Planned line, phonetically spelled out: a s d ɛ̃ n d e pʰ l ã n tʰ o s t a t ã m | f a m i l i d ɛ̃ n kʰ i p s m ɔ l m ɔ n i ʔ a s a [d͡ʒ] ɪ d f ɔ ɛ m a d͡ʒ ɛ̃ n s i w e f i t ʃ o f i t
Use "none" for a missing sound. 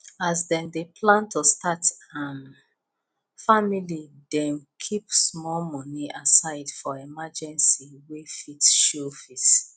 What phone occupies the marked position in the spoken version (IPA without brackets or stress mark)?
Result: none